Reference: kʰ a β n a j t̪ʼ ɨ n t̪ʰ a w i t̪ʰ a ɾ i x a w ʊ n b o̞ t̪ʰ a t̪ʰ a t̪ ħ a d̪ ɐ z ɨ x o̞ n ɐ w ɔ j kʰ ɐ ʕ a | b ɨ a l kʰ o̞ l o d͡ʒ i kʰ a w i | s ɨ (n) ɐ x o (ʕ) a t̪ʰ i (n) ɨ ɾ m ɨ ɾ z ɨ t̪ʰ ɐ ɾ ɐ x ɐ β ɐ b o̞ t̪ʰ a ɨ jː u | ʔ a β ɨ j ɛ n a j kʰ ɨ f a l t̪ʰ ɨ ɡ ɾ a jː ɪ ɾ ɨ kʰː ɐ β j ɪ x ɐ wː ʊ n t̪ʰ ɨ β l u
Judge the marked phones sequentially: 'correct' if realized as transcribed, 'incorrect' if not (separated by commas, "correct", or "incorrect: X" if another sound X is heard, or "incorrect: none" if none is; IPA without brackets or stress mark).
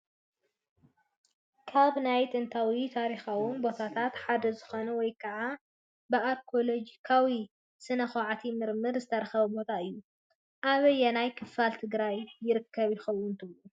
correct, correct, incorrect: m